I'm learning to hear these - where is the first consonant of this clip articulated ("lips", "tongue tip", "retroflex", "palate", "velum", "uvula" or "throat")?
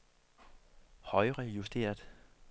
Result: throat